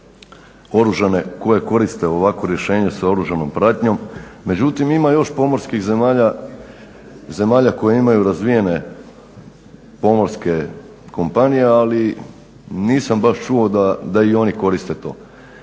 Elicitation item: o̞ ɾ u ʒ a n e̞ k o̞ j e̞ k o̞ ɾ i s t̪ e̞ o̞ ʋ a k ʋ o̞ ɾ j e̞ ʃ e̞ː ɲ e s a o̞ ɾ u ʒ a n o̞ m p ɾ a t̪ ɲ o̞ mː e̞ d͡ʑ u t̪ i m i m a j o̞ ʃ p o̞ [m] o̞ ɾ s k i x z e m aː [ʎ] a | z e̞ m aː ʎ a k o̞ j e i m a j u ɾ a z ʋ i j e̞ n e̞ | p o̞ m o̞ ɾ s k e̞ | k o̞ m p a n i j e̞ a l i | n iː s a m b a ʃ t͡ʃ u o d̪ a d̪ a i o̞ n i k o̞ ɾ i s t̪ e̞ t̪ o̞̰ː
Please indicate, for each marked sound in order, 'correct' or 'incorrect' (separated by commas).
correct, correct